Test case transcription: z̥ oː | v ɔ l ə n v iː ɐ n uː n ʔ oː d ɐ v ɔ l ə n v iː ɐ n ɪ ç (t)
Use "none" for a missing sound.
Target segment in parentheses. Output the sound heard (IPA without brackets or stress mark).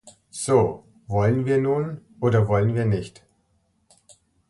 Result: t